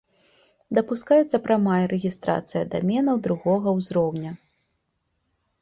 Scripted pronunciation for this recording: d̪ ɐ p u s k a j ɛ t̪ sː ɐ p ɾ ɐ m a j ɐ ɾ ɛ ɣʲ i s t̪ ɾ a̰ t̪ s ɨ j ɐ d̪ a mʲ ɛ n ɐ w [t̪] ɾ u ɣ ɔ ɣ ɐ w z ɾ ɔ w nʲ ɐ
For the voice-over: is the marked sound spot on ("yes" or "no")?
no